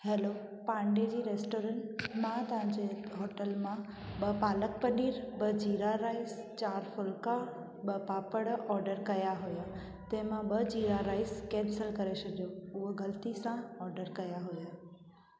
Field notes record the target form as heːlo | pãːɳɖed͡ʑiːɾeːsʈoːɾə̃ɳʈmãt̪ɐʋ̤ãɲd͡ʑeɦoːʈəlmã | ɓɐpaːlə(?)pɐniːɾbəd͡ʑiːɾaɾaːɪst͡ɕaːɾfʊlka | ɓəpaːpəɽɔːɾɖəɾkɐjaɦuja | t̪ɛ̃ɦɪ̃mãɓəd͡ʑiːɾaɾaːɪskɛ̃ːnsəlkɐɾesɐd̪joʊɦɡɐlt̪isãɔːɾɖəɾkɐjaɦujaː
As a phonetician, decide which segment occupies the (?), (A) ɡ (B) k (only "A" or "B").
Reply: B